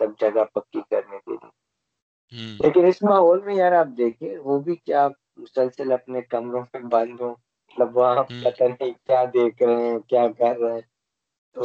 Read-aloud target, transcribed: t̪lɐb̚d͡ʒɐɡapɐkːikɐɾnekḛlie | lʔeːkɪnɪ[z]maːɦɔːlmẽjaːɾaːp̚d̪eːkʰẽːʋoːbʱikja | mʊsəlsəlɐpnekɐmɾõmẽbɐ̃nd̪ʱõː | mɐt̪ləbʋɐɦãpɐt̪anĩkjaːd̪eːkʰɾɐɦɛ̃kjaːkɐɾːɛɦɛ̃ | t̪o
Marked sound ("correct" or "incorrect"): incorrect